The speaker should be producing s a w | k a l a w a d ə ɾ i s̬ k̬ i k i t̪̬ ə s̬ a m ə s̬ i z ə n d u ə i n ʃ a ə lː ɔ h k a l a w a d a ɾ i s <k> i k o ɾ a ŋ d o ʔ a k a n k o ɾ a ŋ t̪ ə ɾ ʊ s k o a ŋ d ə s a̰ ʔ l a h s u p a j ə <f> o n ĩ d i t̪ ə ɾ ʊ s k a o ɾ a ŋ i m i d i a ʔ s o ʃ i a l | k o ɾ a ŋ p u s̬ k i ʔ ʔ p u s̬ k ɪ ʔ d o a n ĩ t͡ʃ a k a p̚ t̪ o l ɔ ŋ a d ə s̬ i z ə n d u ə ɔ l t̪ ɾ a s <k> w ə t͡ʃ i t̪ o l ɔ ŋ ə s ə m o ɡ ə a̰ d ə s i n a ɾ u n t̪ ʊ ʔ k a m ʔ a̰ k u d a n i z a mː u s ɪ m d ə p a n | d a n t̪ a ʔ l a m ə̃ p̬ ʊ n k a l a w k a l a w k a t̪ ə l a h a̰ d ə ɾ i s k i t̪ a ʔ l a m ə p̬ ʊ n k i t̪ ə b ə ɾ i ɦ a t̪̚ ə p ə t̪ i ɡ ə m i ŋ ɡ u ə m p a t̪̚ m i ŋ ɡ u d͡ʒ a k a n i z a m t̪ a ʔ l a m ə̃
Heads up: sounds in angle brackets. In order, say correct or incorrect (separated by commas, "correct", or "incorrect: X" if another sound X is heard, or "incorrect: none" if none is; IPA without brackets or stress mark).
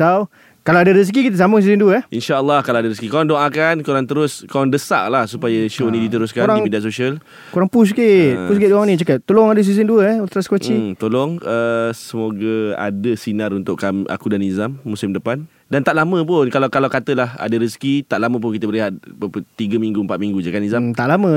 correct, incorrect: ʃ, correct